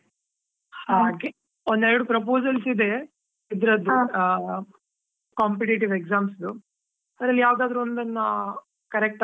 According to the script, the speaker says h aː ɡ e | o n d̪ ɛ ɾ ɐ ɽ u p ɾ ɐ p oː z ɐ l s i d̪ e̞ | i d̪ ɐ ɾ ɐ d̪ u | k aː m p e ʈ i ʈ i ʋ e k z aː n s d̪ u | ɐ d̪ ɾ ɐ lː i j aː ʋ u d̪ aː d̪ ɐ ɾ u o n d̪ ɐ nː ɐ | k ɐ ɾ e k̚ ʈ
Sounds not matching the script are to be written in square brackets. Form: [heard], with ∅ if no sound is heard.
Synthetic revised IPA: h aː ɡ e | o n d̪ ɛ ɾ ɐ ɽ u p ɾ ɐ p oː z ɐ l s i d̪ e̞ | i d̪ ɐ ɾ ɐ d̪ u | k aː m p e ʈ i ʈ i ʋ e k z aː [m] s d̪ u | ɐ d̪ ɾ ɐ lː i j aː ʋ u d̪ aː d̪ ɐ ɾ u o n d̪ ɐ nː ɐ | k ɐ ɾ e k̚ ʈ